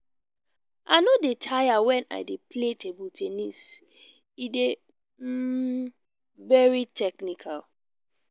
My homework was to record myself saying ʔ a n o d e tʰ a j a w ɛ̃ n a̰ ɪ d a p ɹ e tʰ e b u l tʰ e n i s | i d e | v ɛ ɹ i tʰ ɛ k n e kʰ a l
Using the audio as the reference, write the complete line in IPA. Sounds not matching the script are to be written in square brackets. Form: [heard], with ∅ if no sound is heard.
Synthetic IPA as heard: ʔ a n o d e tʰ a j a w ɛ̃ n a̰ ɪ d [e] p [l] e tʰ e b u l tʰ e n i s | i d e | v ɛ ɹ i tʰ ɛ k n [i] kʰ a l